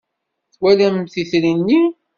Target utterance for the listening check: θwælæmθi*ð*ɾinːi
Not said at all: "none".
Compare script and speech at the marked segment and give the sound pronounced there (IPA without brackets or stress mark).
θ